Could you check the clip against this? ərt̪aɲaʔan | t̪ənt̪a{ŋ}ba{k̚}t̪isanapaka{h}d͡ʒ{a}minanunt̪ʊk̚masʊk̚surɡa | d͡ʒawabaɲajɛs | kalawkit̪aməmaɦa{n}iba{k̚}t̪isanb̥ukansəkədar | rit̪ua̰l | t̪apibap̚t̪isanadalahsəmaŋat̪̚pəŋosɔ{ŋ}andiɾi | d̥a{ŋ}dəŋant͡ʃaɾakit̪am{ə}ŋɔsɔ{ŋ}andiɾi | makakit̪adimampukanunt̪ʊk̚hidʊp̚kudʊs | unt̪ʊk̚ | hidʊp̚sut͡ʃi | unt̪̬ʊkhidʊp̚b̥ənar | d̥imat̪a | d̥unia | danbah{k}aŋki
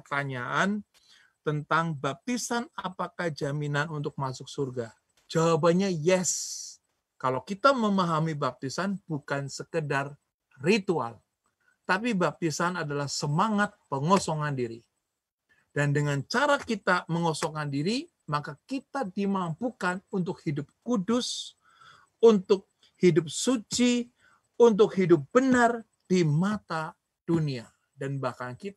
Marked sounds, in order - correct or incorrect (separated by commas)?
correct, incorrect, correct, correct, incorrect, incorrect, correct, incorrect, correct, correct, correct